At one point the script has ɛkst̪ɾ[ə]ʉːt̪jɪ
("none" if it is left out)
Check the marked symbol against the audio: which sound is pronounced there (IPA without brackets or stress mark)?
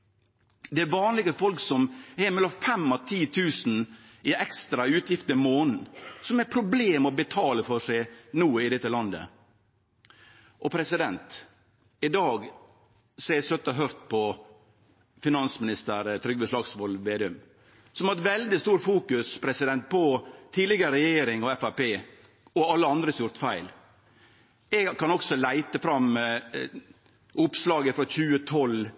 ɑ